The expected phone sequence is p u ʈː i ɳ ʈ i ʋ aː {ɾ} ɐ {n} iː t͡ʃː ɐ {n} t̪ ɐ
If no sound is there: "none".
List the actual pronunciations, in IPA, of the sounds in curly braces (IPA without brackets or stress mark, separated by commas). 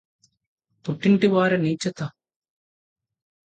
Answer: ɾ, n, none